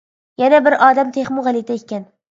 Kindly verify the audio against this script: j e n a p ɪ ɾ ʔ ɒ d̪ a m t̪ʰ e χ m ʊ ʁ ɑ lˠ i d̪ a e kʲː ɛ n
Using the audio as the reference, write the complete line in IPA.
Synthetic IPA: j a n a b ɪ ɾ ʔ ɒ d̪ a m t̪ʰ e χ m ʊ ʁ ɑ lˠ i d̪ a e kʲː a n